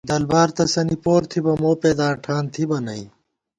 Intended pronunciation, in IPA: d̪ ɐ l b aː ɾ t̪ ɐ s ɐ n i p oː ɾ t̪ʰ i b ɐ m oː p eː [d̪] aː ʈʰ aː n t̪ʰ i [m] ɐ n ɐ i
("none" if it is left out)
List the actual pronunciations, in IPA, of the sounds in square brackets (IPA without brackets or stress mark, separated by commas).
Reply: d̪, b